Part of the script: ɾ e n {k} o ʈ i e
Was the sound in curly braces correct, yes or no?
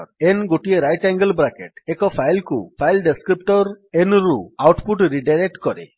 no